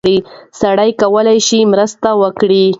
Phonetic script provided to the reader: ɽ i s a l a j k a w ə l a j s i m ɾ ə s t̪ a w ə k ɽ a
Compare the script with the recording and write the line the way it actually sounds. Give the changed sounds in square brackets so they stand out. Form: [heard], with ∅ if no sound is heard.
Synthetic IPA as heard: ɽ i s a [ɽ] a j k a w ə l a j [ʃ] i m ɾ ə s t̪ a w ə k ɽ [i]